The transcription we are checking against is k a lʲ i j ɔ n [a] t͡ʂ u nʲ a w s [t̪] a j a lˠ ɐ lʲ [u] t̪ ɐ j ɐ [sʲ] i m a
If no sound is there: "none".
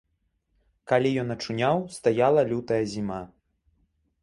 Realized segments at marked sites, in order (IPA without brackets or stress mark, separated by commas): ɐ, t̪, u, zʲ